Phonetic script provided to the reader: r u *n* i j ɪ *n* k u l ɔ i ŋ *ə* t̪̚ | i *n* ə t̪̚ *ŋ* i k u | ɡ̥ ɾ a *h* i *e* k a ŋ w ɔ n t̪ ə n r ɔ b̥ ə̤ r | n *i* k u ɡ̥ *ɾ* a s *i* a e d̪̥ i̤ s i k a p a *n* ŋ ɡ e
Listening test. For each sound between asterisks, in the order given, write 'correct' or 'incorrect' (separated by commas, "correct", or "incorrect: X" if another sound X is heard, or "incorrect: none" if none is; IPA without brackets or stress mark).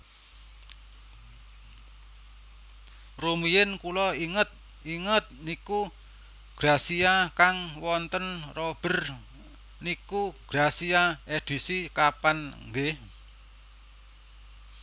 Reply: incorrect: m, correct, correct, incorrect: ŋ, incorrect: n, incorrect: s, incorrect: a, correct, correct, correct, correct